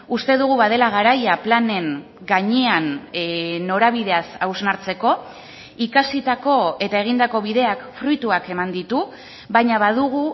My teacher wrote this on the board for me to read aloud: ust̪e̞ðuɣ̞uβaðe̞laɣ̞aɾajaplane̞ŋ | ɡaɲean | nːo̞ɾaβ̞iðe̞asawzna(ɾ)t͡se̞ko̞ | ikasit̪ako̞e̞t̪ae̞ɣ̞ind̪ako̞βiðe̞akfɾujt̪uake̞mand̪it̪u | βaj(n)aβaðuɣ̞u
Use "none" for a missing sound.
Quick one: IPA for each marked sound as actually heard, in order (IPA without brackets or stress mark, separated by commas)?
ɾ, ɲ